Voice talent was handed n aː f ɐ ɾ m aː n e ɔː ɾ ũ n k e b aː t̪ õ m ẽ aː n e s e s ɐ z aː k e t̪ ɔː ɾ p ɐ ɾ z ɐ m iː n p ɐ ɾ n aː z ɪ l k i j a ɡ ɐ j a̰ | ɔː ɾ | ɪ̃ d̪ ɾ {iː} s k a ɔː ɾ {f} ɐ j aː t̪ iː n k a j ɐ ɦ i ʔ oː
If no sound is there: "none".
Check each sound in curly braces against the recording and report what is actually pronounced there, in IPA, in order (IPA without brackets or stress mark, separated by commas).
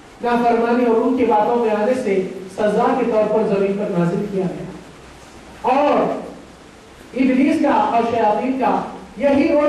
iː, ʃ